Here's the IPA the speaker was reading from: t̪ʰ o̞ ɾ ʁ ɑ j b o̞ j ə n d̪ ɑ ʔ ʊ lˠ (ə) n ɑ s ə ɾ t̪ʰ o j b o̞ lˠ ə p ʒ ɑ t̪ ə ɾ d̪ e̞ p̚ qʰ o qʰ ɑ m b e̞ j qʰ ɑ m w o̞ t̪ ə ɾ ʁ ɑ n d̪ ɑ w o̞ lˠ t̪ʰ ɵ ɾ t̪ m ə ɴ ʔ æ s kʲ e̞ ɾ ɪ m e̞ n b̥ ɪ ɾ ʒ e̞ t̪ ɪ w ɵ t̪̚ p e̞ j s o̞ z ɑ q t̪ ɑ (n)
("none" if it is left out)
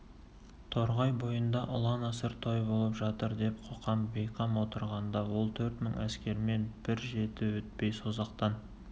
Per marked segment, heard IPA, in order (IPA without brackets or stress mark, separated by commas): ɑ, n